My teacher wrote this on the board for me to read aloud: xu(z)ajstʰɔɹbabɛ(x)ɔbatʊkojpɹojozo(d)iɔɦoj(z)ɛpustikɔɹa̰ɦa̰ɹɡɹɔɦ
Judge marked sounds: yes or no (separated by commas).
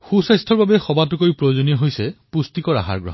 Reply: no, yes, no, no